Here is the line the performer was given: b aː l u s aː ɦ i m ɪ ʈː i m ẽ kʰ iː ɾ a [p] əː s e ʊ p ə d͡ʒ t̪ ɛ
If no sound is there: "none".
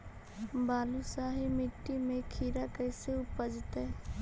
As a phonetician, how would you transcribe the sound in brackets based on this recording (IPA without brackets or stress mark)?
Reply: k